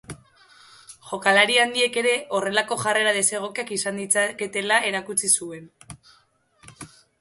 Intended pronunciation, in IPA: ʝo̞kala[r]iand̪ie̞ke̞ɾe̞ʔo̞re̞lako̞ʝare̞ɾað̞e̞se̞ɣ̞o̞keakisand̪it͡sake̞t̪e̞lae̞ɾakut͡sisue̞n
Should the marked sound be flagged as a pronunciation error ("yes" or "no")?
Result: yes